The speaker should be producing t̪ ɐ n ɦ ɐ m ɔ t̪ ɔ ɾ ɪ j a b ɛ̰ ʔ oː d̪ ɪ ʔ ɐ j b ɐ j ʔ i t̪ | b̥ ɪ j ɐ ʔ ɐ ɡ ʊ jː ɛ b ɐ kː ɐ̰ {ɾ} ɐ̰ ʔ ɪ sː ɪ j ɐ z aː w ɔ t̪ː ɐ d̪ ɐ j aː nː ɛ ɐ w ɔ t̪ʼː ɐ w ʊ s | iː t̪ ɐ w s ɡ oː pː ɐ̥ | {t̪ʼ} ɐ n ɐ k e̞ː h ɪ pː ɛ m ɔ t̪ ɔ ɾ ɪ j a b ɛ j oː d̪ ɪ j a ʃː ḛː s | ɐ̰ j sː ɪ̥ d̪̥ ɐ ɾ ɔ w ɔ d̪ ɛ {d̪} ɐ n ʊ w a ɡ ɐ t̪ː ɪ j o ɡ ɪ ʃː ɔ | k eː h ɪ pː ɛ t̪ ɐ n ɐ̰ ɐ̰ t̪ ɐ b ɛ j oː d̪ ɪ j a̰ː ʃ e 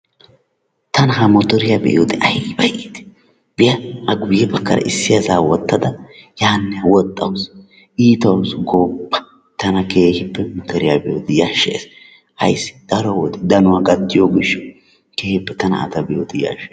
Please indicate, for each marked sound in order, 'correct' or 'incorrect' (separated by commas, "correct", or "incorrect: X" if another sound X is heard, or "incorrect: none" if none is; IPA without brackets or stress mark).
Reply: correct, incorrect: t̪, correct